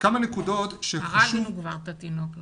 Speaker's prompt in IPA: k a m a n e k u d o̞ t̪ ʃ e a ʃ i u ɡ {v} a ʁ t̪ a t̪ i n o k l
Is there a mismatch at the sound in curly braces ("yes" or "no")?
no